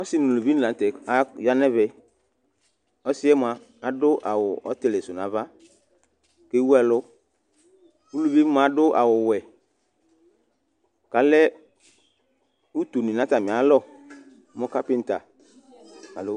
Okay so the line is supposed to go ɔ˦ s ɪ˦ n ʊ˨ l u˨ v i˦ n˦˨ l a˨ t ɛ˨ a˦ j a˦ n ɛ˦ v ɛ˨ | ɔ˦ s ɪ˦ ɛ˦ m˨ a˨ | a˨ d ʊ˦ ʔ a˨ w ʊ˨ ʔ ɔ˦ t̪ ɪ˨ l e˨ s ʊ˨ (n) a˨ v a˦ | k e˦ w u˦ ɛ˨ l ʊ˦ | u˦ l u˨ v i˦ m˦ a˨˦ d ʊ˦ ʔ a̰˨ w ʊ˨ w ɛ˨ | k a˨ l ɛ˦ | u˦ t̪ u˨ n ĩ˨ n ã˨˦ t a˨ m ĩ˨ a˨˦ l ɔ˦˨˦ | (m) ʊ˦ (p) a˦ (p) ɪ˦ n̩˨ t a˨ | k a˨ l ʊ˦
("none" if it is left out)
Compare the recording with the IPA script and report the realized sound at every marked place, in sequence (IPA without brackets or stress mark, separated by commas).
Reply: n, m, k, p